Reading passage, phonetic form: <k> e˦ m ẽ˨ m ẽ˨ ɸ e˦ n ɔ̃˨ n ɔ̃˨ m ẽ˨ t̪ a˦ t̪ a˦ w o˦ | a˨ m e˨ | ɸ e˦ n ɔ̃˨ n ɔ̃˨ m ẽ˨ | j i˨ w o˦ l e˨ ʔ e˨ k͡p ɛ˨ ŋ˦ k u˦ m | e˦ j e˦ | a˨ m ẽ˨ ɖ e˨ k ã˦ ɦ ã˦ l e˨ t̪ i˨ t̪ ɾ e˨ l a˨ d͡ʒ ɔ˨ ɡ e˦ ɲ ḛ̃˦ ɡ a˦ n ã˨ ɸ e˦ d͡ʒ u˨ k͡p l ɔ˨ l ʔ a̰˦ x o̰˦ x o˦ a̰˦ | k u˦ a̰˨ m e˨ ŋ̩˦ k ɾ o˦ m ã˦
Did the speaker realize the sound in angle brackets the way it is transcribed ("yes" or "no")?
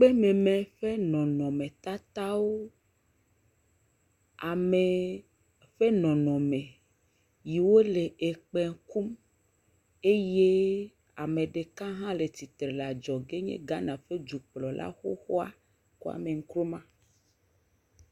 no